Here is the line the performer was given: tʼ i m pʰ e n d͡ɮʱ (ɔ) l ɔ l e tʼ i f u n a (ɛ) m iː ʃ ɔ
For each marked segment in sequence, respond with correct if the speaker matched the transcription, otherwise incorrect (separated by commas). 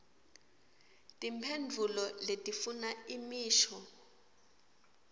incorrect, incorrect